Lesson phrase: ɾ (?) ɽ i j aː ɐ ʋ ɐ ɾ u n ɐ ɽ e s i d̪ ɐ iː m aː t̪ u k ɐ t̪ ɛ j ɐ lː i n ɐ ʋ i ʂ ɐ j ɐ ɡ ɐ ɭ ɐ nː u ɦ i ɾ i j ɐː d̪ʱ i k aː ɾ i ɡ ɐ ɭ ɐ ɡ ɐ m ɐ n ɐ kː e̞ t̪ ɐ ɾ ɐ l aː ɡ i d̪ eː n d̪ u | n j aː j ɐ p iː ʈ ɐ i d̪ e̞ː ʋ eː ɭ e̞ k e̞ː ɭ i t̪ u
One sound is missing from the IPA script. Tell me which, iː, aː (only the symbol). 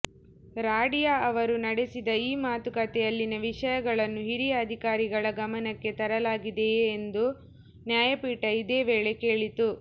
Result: aː